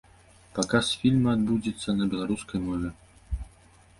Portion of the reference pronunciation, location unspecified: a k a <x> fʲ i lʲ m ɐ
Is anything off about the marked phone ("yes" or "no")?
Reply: yes